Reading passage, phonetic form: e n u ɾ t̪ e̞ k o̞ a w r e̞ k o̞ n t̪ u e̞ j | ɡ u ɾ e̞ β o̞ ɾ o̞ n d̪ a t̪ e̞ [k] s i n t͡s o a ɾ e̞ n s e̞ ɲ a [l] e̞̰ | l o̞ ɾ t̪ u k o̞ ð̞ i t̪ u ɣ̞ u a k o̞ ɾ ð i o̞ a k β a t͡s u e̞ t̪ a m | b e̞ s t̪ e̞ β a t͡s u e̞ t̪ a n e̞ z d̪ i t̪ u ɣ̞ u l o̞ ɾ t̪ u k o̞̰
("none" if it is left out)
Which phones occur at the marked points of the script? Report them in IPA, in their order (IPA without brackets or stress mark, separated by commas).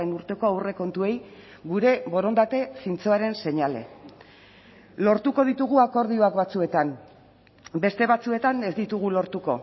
none, l